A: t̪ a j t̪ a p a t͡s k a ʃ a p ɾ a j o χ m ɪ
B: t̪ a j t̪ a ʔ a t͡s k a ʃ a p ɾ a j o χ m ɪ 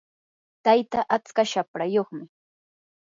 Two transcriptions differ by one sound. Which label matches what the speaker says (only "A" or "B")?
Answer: B